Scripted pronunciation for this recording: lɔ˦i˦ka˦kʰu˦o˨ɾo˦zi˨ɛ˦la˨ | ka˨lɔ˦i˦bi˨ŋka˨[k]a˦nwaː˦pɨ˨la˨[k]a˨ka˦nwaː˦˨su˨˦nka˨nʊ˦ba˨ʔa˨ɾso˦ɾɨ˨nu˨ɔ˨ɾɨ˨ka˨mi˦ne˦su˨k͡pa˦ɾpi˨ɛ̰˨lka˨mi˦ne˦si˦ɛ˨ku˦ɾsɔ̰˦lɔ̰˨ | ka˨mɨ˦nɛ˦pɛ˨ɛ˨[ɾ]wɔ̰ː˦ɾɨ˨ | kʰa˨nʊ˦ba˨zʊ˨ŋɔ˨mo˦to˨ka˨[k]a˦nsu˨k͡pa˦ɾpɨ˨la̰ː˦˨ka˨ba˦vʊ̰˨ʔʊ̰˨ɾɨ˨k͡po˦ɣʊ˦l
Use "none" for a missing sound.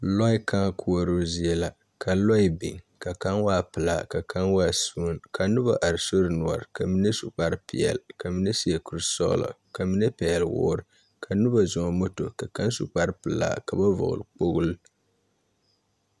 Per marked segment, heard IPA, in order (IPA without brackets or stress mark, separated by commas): k, k, l, k